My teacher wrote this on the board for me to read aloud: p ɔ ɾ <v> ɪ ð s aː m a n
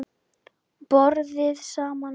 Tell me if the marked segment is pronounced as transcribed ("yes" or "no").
no